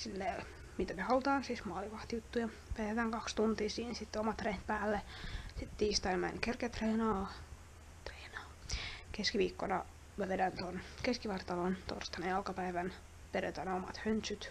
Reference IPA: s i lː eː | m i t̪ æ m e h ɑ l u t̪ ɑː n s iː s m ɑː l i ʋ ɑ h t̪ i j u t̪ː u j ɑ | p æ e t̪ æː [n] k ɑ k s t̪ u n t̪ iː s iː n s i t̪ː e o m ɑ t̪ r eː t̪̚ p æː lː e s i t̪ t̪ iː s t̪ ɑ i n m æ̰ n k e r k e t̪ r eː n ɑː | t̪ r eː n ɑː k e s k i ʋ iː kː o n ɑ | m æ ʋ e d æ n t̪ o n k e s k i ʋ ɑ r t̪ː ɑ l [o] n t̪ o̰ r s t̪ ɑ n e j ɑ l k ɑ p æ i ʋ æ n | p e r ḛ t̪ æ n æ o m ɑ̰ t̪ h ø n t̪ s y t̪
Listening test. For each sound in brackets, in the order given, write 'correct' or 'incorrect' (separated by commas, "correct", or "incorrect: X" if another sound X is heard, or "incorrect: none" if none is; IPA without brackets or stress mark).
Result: incorrect: ŋ, correct